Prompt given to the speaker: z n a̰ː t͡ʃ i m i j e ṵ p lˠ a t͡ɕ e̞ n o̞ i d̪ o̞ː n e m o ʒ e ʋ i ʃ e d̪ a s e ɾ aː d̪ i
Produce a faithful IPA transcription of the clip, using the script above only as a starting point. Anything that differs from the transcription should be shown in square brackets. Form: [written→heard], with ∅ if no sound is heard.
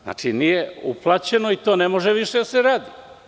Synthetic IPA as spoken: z n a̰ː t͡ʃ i [m→n] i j e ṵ p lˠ a t͡ɕ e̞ n o̞ i [d̪→t̪] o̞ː n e m o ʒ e ʋ i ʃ e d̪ a s e ɾ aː d̪ i